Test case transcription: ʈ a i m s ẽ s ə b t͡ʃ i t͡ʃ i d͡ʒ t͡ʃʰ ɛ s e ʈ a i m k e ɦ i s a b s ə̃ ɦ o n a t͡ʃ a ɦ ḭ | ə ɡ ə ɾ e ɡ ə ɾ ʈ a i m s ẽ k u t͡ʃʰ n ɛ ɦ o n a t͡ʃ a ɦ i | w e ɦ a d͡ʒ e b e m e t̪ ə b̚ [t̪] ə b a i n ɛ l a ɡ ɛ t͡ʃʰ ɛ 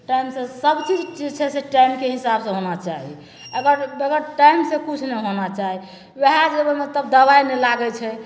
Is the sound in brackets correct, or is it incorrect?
incorrect